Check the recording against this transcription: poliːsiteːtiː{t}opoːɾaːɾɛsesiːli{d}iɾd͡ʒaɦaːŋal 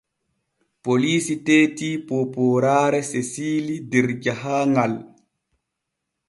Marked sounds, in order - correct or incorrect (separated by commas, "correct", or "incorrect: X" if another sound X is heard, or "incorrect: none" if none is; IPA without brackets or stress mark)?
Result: incorrect: p, correct